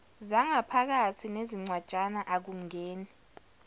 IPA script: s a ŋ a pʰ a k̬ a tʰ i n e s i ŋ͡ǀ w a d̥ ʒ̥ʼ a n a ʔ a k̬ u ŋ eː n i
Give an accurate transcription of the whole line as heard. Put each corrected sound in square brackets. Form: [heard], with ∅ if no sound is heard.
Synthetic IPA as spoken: [z] a ŋ a pʰ a k̬ a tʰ i n e [z] i ŋ͡ǀ w a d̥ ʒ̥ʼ a n a ʔ a k̬ u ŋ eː n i